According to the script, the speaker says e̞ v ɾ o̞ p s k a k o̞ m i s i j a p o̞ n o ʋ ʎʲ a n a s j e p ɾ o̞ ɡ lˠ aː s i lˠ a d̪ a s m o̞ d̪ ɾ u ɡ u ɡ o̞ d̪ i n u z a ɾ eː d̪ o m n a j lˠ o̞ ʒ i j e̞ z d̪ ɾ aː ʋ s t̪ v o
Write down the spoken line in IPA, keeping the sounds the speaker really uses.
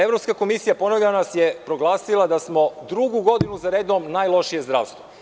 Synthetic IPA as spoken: e̞ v ɾ o̞ p s k a k o̞ m i s i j a p o̞ n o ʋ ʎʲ a n a s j e p ɾ o̞ ɡ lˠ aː s i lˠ a d̪ a s m o̞ d̪ ɾ u ɡ u ɡ o̞ d̪ i n u z a ɾ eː d̪ o m n a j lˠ o̞ ʃ i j e̞ z d̪ ɾ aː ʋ s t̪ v o